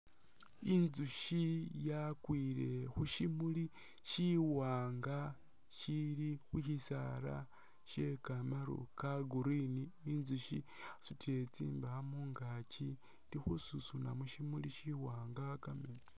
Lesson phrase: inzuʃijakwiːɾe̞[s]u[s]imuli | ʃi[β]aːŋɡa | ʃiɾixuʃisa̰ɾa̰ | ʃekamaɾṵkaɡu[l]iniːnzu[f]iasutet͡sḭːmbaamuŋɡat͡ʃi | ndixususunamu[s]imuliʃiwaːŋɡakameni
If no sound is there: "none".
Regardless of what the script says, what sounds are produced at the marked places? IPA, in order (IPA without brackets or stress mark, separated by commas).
x, ʃ, w, ɾ, ʃ, ʃ